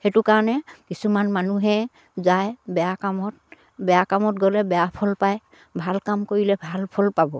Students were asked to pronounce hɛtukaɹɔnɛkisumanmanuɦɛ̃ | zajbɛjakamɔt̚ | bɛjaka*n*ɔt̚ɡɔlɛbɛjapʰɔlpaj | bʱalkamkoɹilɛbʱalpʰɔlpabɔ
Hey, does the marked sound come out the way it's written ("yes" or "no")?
no